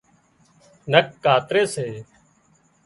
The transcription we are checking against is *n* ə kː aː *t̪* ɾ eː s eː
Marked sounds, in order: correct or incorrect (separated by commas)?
correct, correct